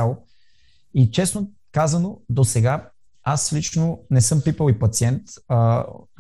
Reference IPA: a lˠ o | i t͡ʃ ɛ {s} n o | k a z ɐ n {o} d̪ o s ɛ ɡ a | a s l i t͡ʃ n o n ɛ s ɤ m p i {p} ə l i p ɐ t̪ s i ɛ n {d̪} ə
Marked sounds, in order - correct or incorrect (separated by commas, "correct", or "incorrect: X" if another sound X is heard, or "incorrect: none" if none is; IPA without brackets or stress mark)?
correct, correct, correct, incorrect: t̪